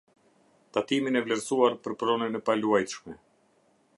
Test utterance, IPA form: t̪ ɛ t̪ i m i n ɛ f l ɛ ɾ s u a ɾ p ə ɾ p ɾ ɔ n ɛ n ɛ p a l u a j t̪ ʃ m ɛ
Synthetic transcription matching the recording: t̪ a t̪ i m i n ɛ v l ɛ ɾ s u a ɾ p ə ɾ p ɾ ɔ n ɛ n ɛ p a l u a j t̪ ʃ m ɛ